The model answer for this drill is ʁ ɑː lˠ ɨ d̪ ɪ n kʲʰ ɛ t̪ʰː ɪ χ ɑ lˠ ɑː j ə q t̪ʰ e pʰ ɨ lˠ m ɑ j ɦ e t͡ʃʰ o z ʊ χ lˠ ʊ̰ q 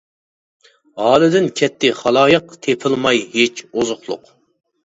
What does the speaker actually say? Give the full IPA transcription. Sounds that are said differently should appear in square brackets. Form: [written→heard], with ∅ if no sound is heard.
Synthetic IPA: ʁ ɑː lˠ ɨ d̪ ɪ n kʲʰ ɛ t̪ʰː ɪ χ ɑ lˠ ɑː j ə q t̪ʰ e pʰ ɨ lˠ m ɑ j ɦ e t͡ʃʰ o z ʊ χ lˠ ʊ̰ q